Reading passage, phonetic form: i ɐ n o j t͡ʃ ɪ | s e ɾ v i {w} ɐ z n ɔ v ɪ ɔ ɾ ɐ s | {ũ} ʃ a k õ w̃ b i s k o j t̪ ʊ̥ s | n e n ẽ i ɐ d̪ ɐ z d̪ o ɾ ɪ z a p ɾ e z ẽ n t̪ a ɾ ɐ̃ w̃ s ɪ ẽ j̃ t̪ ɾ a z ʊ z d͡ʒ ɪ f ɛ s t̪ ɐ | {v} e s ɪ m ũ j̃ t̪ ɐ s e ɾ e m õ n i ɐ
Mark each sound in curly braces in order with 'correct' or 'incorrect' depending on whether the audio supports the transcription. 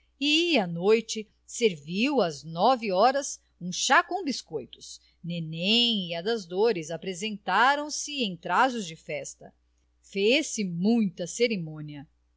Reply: correct, correct, incorrect: f

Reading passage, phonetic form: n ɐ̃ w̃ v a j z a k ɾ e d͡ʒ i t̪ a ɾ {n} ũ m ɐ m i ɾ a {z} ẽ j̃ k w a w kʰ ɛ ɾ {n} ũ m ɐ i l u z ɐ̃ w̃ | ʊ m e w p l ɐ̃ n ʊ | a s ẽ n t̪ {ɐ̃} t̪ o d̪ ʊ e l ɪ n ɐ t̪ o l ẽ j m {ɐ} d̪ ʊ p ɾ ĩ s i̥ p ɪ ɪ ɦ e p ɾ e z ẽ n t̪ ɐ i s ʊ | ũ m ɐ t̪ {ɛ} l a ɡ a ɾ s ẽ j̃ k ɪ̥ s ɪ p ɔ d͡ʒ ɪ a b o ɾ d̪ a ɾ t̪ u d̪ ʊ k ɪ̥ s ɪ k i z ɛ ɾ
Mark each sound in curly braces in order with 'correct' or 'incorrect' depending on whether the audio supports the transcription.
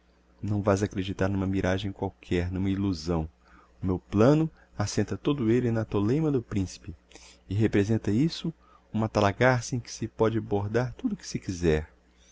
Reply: correct, incorrect: ʒ, correct, incorrect: ɐ, correct, incorrect: a

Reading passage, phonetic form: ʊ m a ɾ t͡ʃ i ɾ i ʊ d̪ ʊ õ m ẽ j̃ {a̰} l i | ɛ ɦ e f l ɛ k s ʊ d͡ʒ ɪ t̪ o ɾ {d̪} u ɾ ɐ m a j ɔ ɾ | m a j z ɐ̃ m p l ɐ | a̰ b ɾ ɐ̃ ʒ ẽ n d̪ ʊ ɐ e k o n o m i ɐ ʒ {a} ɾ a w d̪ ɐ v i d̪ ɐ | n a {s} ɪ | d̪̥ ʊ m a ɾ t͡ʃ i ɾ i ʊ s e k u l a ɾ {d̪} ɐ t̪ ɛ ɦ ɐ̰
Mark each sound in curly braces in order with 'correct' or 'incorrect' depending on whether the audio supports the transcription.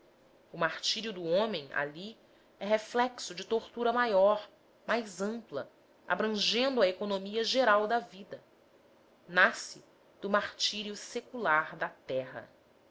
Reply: correct, incorrect: t̪, incorrect: e, correct, correct

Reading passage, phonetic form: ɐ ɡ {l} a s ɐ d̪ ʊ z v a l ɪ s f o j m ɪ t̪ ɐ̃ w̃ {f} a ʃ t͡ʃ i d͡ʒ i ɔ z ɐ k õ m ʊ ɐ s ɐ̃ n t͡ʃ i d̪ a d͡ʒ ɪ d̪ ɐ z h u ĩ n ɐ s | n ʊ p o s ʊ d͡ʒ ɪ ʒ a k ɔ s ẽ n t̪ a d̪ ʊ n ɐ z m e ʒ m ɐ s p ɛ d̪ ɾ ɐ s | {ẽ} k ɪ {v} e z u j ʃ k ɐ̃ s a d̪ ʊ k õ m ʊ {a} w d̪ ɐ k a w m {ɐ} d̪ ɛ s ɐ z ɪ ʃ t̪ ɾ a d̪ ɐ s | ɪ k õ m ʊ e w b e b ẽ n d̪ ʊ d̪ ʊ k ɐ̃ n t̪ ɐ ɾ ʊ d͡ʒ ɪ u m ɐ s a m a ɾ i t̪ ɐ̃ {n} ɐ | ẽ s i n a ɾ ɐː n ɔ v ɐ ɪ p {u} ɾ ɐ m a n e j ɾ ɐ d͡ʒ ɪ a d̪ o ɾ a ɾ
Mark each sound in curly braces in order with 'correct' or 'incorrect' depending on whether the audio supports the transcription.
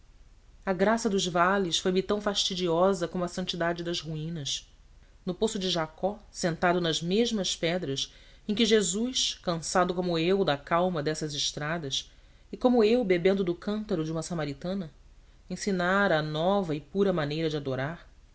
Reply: incorrect: ɾ, correct, correct, incorrect: ʒ, incorrect: e, correct, correct, correct

